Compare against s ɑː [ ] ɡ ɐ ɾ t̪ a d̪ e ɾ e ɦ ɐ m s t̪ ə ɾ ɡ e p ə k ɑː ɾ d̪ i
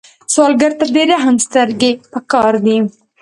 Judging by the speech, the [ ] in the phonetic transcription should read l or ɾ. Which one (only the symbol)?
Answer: l